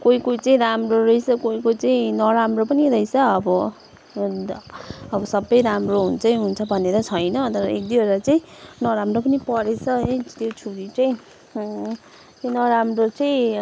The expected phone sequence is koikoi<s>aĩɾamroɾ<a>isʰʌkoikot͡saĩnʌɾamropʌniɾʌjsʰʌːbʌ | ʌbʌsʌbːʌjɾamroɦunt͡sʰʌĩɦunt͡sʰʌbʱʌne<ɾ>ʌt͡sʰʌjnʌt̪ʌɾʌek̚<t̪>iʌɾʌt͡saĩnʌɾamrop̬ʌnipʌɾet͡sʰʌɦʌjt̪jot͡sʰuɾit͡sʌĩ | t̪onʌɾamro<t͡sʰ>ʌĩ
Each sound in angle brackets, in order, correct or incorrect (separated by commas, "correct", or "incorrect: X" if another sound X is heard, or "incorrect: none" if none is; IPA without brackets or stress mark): incorrect: t͡s, incorrect: ʌ, correct, incorrect: d̪, incorrect: t͡s